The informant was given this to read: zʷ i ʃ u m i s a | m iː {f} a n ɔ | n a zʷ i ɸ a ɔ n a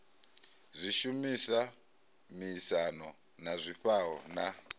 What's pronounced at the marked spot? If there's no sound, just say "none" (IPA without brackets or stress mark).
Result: s